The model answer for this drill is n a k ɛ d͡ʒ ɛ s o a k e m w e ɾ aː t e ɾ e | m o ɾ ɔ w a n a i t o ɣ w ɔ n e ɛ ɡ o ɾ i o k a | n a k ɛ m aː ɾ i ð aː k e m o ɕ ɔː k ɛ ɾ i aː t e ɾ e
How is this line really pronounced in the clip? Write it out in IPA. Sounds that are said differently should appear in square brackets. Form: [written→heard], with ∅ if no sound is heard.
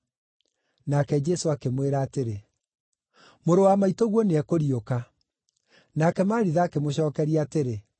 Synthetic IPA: n a k ɛ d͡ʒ ɛ s o a k e m w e ɾ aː t e ɾ e | m o ɾ [ɔ→o] w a [n→m] a i t o ɣ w ɔ n e ɛ [ɡ→k] o ɾ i o k a | n a k ɛ m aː ɾ i ð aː k e m o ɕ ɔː k ɛ ɾ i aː t e ɾ e